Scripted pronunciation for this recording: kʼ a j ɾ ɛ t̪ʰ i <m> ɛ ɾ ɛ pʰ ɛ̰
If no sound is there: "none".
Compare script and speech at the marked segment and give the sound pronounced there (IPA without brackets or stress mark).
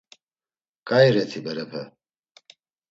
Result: b